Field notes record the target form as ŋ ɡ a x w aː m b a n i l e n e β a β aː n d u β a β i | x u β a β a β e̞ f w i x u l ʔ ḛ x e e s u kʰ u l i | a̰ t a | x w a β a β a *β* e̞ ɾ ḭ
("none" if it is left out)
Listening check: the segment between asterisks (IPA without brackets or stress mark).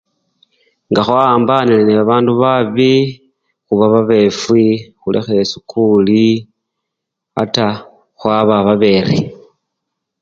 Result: β